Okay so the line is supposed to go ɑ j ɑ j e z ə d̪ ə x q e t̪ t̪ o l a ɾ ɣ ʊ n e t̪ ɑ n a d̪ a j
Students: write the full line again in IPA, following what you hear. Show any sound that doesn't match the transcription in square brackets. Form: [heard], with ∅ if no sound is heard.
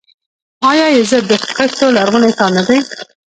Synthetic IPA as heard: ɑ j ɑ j e z ə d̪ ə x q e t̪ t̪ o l a ɾ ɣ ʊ n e t̪ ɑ n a d̪ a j